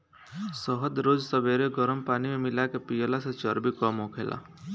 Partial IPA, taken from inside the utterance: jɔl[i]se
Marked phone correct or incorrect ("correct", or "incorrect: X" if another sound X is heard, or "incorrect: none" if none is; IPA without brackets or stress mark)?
incorrect: a